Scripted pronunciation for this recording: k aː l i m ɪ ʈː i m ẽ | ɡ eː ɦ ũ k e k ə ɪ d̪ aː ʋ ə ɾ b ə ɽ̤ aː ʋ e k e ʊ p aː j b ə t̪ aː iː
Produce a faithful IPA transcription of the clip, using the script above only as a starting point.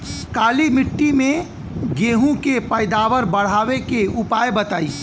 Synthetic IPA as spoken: k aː l i m ɪ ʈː i m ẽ | ɡ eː ɦ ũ k e p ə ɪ d̪ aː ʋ ə ɾ b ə ɽ̤ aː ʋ e k e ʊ p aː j b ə t̪ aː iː